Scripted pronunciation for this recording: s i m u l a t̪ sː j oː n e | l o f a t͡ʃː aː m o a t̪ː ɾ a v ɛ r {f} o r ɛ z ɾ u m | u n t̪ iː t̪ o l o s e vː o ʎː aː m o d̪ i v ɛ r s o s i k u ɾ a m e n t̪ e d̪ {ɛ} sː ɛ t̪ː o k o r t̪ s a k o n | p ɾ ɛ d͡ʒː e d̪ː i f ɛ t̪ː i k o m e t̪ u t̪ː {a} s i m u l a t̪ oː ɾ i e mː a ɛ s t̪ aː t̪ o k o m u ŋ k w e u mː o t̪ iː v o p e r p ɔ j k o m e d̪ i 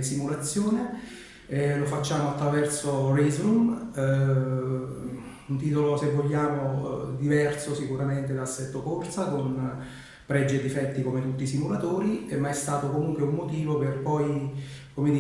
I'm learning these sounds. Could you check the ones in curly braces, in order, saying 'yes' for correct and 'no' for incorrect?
no, no, no

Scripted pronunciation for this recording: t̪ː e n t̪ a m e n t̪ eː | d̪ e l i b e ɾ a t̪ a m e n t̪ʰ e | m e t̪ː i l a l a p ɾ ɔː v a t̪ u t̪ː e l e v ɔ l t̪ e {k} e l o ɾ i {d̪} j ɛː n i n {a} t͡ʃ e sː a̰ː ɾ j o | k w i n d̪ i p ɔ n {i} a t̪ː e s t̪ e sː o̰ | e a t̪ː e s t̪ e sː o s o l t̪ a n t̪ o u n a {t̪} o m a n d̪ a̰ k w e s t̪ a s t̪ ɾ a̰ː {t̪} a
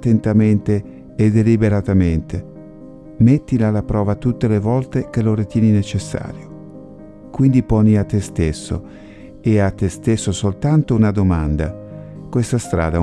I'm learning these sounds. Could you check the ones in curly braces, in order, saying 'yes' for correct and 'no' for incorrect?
yes, no, no, yes, no, no

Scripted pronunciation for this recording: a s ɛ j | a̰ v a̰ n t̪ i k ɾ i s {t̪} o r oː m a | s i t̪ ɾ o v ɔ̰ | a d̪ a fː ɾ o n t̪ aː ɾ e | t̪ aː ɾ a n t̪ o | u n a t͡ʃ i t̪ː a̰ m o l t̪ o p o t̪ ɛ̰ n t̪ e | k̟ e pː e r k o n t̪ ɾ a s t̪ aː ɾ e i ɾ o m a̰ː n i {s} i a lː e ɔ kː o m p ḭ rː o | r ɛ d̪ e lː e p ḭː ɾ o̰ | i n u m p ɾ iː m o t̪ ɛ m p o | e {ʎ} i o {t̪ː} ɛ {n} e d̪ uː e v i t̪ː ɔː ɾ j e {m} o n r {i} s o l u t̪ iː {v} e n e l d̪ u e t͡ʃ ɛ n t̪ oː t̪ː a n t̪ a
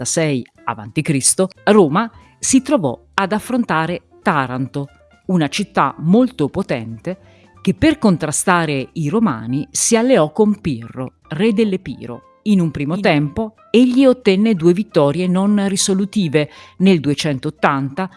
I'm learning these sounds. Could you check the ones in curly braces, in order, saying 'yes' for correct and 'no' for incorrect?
yes, yes, no, yes, no, no, yes, yes

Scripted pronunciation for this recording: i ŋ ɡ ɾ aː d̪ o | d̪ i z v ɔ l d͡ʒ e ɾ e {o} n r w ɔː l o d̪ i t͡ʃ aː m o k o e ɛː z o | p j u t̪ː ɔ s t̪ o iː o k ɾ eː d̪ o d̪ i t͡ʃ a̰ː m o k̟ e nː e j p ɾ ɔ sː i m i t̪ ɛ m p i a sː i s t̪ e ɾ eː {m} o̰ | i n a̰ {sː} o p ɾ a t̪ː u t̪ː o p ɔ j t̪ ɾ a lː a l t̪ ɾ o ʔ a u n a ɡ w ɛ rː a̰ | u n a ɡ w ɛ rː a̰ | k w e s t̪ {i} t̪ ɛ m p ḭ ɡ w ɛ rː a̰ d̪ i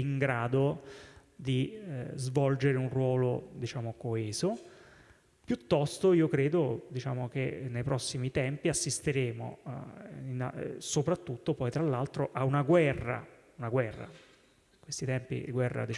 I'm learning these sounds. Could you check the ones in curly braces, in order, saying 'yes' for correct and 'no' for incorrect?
no, yes, no, yes

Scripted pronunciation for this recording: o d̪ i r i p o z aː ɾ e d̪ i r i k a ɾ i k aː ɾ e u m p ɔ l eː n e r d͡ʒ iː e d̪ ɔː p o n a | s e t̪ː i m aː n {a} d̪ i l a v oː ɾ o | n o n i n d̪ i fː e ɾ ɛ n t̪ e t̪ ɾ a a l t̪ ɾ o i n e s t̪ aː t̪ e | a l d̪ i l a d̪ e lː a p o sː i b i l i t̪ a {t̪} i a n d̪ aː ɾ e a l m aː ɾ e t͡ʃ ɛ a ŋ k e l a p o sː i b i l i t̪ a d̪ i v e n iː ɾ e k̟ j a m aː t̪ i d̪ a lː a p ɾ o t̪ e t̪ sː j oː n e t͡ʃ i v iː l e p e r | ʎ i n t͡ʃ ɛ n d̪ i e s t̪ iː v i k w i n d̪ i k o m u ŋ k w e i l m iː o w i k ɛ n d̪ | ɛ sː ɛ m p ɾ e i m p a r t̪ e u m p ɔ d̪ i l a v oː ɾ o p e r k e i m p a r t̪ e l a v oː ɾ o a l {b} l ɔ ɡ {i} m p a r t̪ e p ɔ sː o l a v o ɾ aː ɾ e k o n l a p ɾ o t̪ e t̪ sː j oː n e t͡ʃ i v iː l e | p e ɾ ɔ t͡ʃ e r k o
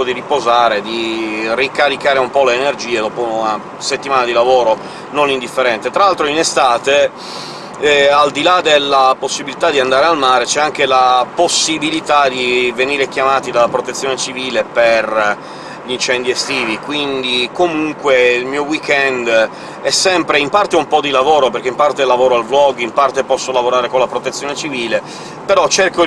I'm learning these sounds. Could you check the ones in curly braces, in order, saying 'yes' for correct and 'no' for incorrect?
yes, no, no, yes

